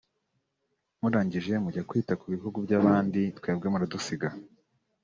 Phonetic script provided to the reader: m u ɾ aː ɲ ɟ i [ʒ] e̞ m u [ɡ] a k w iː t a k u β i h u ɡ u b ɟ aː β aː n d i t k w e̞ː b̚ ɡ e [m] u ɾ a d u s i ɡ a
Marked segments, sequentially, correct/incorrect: correct, incorrect, correct

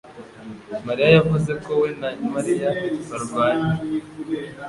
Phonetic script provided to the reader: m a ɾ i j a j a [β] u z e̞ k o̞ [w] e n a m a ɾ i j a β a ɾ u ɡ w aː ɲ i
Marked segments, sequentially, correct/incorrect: incorrect, correct

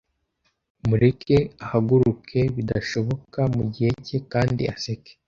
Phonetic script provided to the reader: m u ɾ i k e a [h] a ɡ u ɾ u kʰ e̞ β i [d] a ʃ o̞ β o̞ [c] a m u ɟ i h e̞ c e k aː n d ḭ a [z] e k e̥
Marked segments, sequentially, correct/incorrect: correct, correct, incorrect, incorrect

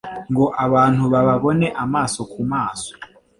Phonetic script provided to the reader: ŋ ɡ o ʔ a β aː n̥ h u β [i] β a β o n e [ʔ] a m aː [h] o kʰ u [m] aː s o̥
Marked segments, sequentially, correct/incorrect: incorrect, correct, incorrect, correct

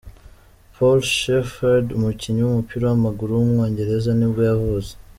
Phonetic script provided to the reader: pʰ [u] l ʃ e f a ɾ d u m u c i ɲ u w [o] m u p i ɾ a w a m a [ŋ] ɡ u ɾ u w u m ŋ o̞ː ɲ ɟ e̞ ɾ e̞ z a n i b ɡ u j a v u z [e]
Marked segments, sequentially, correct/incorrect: incorrect, incorrect, incorrect, correct

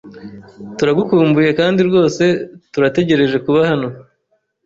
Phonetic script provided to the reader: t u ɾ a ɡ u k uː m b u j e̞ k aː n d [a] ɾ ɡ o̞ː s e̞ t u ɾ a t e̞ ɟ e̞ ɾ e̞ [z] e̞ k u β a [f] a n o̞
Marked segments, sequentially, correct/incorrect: incorrect, incorrect, incorrect

